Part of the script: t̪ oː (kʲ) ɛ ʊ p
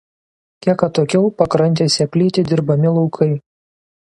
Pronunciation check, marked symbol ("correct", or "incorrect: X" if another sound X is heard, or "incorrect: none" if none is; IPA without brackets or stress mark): correct